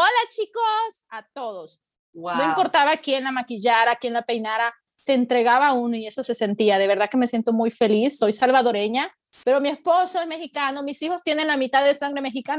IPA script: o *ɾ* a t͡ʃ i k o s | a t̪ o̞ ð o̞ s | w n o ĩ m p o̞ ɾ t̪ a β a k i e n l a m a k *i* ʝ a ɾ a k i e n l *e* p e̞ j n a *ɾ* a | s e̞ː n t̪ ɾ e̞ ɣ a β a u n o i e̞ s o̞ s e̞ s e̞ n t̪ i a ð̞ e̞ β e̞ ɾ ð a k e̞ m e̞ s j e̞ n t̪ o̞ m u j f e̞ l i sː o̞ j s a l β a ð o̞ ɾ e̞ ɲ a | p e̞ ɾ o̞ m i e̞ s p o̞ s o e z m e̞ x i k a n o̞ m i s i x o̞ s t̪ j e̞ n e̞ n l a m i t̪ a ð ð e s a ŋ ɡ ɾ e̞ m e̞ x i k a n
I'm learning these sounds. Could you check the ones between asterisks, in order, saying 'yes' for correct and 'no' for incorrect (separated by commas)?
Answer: no, yes, no, yes